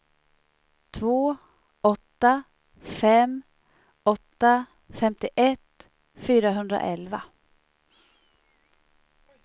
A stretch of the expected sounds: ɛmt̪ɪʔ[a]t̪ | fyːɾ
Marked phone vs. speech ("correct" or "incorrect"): incorrect